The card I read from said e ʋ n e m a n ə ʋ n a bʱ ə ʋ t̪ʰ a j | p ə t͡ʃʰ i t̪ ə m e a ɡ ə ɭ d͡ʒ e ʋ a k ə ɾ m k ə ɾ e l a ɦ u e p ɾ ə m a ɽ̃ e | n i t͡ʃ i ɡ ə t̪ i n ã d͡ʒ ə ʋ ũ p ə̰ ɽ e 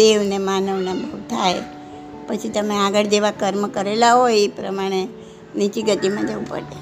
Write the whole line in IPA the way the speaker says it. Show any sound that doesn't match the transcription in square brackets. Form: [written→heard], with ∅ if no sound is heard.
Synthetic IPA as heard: e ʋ n e m a n ə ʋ n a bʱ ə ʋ t̪ʰ a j | p ə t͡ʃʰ i t̪ ə m e a ɡ ə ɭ d͡ʒ e ʋ a k ə ɾ m k ə ɾ e l a ɦ [u→o] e p ɾ ə m a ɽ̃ e | n i t͡ʃ i ɡ ə t̪ i [n→m] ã d͡ʒ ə ʋ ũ p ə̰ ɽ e